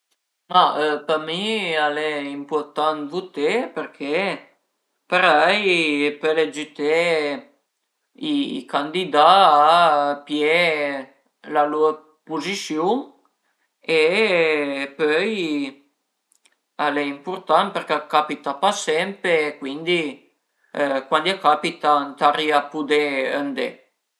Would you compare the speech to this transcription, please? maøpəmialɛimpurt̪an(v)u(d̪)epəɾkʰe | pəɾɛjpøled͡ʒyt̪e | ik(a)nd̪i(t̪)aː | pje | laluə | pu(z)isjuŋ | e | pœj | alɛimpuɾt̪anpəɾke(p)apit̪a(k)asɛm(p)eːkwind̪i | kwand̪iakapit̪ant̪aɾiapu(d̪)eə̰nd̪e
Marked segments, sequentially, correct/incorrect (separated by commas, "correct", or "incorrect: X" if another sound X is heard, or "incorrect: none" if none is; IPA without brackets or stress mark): correct, incorrect: t̪, correct, incorrect: d̪, correct, incorrect: k, incorrect: p, correct, correct